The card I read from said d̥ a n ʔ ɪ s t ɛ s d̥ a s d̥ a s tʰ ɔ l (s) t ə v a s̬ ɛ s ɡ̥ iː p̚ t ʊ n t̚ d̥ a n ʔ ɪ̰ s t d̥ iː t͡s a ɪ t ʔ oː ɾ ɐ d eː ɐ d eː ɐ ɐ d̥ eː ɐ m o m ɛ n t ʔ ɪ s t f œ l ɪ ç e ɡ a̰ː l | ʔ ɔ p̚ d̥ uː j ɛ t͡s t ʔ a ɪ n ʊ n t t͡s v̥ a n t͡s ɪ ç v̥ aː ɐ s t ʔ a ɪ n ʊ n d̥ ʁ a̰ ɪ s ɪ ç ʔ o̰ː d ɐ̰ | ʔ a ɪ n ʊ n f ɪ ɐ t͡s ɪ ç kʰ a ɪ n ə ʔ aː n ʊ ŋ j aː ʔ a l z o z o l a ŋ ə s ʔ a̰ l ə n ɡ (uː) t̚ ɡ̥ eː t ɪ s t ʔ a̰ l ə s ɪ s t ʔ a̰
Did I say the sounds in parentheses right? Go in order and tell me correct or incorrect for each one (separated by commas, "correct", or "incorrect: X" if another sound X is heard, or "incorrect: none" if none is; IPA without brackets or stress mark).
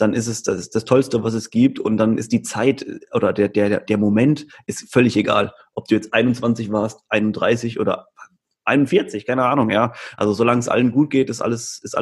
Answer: correct, correct